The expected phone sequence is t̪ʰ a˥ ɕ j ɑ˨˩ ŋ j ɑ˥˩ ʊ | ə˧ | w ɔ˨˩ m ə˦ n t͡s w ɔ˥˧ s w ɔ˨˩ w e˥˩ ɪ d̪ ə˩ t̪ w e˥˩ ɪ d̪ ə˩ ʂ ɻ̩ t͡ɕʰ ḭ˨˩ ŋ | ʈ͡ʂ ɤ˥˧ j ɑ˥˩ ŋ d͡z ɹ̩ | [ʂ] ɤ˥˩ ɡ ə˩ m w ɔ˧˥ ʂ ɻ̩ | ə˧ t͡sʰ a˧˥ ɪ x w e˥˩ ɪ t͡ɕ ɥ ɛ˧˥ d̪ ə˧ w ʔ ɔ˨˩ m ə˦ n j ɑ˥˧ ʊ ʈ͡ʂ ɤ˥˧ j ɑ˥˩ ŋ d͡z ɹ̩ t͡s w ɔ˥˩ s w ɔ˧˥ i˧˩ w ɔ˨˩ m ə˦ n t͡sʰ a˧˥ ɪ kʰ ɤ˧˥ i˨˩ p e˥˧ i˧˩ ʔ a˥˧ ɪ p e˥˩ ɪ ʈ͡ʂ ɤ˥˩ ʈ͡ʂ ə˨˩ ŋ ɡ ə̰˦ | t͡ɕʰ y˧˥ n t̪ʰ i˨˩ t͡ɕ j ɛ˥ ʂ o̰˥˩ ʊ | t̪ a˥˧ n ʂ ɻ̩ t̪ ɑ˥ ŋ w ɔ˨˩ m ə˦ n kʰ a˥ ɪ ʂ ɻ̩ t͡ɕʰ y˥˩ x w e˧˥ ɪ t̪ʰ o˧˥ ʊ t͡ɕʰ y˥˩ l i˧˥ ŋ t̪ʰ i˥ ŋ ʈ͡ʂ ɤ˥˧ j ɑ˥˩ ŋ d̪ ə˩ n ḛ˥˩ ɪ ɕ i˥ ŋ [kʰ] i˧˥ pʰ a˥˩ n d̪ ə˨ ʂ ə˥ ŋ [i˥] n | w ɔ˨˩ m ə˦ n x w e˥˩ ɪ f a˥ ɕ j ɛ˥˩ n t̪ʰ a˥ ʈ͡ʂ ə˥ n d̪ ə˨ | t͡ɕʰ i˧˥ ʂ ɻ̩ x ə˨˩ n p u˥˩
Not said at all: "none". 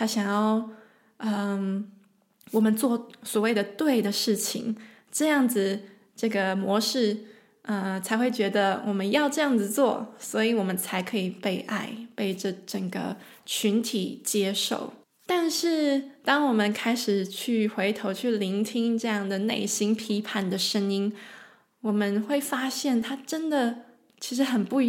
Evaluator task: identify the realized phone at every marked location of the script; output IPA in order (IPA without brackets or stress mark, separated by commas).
ʈ͡ʂ, pʰ, i˥